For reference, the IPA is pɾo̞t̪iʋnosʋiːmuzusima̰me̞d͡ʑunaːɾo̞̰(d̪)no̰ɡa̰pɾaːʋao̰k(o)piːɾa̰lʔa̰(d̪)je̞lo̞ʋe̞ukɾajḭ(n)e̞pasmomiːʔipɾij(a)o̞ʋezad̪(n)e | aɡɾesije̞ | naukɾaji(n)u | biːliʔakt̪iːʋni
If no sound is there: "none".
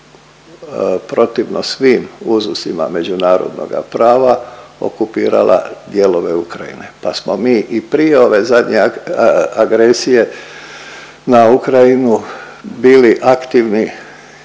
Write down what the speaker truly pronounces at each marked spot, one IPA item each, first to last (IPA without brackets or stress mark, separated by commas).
d̪, u, d̪, n, e, ɲ, n